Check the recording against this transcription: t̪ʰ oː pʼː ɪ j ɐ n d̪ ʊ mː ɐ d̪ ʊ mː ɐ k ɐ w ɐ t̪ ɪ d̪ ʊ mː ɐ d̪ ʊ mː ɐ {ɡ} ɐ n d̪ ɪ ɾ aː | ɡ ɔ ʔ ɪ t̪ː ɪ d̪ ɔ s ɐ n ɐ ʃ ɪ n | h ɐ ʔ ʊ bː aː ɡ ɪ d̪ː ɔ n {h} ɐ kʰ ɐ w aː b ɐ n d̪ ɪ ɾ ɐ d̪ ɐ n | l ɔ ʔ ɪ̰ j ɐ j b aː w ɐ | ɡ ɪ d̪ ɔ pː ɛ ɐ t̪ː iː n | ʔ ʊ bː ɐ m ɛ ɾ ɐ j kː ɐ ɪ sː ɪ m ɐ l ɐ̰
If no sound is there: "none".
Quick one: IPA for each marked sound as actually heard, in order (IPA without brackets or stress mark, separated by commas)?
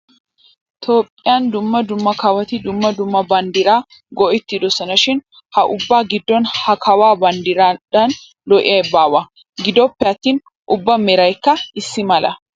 b, h